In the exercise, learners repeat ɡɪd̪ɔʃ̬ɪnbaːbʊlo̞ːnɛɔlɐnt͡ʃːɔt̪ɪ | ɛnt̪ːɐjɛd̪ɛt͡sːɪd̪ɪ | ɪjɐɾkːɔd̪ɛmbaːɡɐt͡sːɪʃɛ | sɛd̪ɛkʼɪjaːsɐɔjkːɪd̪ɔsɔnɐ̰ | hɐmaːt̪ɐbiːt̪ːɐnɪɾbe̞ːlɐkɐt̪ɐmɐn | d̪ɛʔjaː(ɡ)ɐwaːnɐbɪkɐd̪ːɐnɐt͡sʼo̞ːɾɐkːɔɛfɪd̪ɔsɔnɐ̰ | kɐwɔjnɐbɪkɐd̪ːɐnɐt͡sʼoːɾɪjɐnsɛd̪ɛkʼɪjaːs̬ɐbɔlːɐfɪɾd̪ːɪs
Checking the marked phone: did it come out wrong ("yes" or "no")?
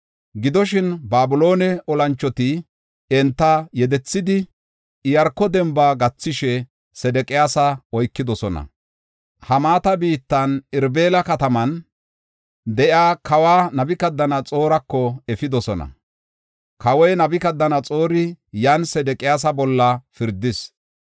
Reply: yes